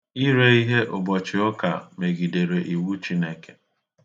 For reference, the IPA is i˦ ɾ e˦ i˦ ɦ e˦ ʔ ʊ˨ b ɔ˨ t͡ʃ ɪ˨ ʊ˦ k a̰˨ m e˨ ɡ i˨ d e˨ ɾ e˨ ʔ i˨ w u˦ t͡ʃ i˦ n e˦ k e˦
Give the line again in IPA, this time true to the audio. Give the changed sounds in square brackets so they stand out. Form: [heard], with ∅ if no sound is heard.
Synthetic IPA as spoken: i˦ ɾ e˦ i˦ ɦ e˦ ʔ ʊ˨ b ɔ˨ t͡ʃ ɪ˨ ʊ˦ k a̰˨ m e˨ ɡ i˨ d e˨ ɾ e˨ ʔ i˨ w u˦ t͡ʃ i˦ n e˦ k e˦